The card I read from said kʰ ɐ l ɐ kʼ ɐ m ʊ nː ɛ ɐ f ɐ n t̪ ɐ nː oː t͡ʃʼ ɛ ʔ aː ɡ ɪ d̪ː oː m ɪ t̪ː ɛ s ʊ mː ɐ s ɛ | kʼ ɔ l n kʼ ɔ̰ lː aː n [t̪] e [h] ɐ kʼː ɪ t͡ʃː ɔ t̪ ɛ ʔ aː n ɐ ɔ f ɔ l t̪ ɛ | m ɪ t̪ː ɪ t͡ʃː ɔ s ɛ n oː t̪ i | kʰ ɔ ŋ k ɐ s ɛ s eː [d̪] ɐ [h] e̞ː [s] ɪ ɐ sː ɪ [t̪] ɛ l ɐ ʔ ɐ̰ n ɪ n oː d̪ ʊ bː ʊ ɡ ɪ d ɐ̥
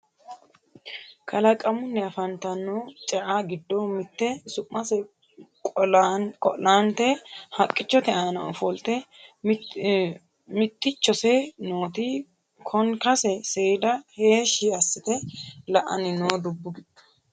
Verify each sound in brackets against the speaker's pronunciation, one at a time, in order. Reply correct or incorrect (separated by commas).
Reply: correct, correct, correct, correct, incorrect, correct